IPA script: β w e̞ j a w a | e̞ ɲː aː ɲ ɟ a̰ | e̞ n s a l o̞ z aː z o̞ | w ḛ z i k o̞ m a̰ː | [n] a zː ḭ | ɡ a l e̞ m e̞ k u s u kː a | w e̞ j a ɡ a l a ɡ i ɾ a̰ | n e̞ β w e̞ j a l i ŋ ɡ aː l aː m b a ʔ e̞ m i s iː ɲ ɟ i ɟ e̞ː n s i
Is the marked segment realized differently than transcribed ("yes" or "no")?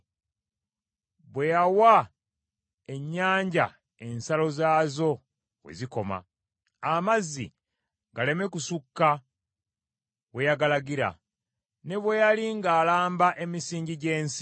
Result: yes